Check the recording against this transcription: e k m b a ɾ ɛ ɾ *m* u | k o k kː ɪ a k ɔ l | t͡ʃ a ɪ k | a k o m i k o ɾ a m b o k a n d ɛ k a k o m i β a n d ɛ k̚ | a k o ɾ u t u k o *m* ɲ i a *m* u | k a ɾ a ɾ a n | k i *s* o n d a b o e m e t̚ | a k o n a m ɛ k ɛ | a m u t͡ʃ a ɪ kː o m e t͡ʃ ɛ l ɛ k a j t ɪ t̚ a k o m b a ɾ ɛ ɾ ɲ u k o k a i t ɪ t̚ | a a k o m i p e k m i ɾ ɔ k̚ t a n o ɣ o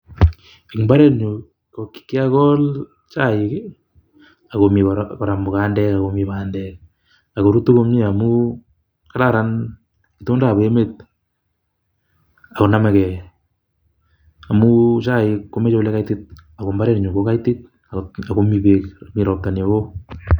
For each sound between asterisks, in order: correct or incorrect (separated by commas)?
incorrect, correct, correct, incorrect